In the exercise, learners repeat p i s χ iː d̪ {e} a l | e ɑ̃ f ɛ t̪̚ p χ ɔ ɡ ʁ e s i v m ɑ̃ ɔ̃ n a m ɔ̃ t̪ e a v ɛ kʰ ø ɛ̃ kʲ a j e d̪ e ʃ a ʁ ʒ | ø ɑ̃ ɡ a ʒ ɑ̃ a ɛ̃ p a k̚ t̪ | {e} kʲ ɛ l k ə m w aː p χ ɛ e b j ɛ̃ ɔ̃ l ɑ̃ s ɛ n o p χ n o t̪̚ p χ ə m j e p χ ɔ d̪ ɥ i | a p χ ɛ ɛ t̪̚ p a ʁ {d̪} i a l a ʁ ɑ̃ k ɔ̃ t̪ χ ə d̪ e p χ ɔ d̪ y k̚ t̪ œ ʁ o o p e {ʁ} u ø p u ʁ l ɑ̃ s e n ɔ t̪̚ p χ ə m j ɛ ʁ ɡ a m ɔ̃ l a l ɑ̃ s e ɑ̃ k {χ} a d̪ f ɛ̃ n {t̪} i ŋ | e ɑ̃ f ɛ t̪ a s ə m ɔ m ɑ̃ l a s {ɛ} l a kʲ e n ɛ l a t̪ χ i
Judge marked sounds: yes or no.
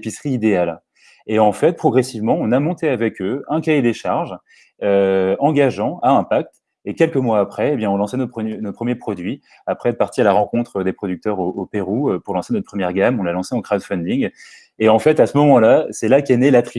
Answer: yes, yes, no, yes, yes, no, yes

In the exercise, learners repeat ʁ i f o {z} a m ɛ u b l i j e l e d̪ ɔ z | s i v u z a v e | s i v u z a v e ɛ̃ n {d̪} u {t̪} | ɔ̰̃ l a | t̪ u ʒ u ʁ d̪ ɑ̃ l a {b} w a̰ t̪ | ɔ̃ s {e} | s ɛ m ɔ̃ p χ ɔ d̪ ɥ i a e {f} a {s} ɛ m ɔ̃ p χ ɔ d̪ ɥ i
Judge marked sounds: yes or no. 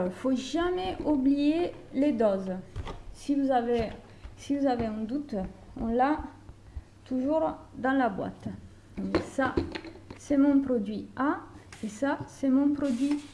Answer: no, yes, yes, yes, no, no, yes

